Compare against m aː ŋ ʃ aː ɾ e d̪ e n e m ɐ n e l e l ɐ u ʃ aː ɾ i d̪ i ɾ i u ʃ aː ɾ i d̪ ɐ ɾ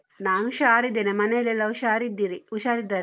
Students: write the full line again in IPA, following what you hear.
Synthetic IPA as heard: n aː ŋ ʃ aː ɾ i d̪ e n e m ɐ n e l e l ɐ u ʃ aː ɾ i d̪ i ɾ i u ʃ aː ɾ i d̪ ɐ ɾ